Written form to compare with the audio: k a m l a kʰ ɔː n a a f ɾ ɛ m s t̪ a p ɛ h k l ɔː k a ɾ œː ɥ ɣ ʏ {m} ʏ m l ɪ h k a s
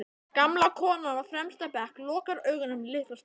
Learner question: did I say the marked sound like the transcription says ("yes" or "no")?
no